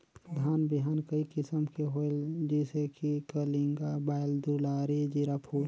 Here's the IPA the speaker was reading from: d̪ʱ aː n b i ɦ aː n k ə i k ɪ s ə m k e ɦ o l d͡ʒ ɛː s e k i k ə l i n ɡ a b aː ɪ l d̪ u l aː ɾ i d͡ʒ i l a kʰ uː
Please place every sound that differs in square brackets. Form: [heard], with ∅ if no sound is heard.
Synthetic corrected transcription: d̪ʱ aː n b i ɦ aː n k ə i k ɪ s ə m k e ɦ o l d͡ʒ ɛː s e k i k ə l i [ŋ] ɡ a b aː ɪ l d̪ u l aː ɾ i d͡ʒ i [ɾ] a [pʰ] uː